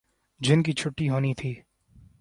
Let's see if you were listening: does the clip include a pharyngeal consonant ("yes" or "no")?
no